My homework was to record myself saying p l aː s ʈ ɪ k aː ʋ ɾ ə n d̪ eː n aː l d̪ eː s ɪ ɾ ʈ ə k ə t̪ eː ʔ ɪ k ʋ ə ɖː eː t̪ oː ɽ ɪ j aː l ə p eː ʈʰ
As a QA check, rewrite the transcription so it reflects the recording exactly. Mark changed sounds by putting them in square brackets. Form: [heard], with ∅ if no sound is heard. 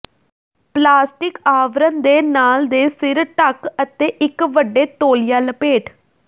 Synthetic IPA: p l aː s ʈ ɪ k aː ʋ ɾ ə n d̪ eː n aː l d̪ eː s ɪ ɾ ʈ ə k ə t̪ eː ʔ ɪ k ʋ ə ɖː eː t̪ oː [l] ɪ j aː l ə p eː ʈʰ